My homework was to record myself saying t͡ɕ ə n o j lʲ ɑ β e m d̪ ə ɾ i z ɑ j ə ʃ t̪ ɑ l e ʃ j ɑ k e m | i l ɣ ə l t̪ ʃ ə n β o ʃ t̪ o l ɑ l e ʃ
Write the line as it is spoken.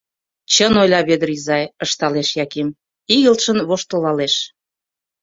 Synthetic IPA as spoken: t͡ɕ ə n o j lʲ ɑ β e d̪ ə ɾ i z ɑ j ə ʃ t̪ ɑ l e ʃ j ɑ k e m | i ɣ ə l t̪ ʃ ə n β o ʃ t̪ o l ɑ l e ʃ